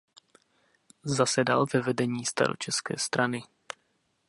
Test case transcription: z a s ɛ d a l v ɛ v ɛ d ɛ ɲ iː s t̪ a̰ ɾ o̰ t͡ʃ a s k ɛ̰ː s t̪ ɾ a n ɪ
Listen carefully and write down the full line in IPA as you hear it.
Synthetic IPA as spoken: z a s ɛ d a l v ɛ v ɛ d ɛ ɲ iː s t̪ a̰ ɾ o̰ t͡ʃ ɛ s k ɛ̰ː s t̪ ɾ a n ɪ

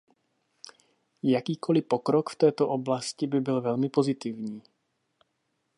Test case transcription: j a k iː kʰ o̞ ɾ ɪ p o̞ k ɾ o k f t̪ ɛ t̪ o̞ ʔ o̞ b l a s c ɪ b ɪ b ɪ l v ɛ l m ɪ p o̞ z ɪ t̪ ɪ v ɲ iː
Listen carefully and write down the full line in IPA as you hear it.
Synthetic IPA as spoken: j a k iː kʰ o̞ l ɪ p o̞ k ɾ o k f t̪ ɛː t̪ o̞ ʔ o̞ b l a s c ɪ b ɪ b ɪ l v ɛ l m ɪ p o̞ z ɪ t̪ ɪ v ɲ iː

